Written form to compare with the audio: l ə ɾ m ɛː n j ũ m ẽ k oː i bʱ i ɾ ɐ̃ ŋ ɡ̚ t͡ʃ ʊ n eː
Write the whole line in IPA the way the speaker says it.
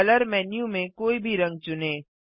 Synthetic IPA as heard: l ə ɾ m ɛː n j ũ m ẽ k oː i bʱ i ɾ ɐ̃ ŋ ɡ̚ t͡ʃ ʊ n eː